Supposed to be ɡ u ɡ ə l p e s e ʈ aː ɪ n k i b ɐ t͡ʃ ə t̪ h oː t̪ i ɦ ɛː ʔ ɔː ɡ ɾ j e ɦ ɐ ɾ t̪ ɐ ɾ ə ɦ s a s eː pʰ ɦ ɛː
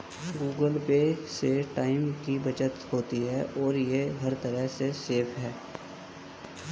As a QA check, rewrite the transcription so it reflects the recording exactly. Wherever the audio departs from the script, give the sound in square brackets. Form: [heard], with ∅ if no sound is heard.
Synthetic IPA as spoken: ɡ [uː] ɡ ə l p e s e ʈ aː ɪ [m] k i b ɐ t͡ʃ ə t̪ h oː t̪ i ɦ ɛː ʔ ɔː [∅] ɾ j e ɦ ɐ ɾ t̪ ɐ ɾ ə ɦ s [e] s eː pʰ ɦ ɛː